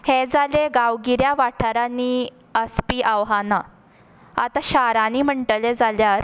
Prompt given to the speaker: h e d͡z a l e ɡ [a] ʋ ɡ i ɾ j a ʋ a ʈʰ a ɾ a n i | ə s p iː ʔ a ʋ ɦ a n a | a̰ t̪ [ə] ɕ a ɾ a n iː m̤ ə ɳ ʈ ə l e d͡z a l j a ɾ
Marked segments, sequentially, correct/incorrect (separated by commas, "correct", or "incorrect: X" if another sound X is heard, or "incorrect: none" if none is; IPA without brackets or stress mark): correct, incorrect: a